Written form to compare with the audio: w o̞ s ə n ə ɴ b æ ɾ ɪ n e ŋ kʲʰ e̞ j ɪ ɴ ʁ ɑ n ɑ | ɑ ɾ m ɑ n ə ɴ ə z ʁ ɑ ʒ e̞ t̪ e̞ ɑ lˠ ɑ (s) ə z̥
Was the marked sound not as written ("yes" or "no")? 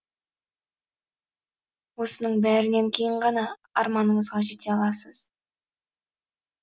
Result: no